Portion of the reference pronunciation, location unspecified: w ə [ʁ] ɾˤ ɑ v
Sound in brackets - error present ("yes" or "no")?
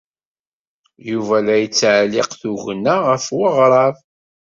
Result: no